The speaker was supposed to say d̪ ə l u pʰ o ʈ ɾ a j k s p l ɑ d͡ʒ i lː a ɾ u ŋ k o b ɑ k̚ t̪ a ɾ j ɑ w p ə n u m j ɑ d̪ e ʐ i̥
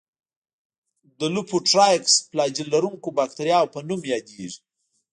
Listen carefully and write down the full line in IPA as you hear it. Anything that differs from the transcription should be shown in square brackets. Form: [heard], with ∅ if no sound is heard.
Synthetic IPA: d̪ ə l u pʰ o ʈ ɾ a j k s p l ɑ d͡ʒ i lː a ɾ u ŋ k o b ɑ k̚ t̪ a ɾ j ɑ w p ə n u m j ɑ d̪ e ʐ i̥